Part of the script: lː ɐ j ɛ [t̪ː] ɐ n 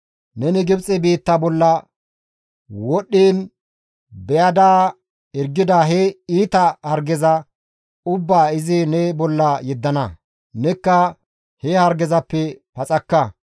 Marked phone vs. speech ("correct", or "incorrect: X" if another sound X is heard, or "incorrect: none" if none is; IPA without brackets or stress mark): incorrect: d̪ː